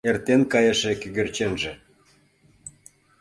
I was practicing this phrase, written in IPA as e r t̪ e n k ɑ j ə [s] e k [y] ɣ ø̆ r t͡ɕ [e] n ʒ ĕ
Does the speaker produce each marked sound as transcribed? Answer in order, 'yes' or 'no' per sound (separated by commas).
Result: no, yes, yes